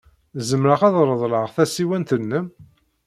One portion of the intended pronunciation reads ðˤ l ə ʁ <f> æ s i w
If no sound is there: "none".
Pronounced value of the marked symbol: θ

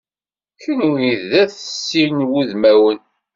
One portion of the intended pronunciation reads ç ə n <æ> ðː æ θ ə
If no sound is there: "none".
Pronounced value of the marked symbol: i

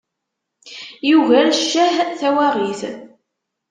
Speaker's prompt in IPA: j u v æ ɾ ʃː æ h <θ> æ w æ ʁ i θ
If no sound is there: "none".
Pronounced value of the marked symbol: θ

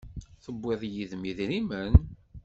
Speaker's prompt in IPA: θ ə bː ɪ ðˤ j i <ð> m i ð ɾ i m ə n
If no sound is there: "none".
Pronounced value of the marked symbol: ð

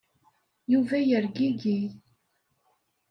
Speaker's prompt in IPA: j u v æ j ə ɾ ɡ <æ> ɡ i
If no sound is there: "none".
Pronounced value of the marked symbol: i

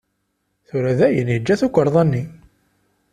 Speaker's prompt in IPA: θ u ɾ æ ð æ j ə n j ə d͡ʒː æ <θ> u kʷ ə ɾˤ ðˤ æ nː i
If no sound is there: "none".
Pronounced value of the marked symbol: θ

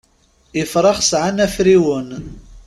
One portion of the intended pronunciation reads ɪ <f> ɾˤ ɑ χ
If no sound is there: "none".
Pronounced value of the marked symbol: f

